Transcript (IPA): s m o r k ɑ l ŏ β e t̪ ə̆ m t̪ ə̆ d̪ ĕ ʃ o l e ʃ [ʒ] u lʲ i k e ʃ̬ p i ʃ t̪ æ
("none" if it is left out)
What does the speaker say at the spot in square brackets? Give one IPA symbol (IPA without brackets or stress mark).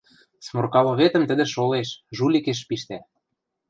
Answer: ʒ